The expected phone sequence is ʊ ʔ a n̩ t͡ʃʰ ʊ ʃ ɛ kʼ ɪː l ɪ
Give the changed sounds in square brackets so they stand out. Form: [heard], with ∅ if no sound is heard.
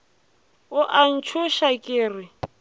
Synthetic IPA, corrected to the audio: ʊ ʔ a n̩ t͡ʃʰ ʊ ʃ [a] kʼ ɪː [r] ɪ